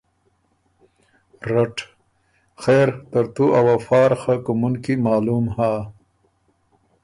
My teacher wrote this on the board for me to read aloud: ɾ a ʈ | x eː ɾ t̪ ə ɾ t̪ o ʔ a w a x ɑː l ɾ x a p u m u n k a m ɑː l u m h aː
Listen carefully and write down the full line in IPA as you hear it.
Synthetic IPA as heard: ɾ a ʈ | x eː ɾ t̪ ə ɾ t̪ u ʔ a w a f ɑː ɾ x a k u m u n k i m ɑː l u m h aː